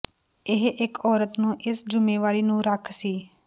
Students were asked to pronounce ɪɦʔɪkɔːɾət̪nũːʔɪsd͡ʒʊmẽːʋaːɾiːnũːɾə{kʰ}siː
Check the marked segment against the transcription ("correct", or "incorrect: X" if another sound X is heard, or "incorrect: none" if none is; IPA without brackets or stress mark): correct